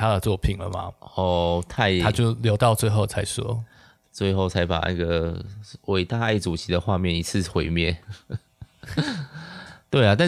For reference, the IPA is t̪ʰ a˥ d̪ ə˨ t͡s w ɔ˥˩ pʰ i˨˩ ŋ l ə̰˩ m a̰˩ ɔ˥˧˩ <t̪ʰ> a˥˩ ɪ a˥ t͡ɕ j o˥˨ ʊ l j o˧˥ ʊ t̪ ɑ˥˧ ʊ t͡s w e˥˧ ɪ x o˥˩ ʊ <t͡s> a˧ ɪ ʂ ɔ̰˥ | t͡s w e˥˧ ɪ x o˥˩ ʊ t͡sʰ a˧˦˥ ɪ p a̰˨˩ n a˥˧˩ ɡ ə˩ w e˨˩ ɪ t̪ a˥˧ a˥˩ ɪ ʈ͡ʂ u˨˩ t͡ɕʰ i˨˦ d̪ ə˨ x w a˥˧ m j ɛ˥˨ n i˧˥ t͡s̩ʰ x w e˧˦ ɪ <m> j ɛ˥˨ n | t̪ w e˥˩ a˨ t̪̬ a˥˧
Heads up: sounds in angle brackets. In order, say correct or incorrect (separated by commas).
correct, incorrect, correct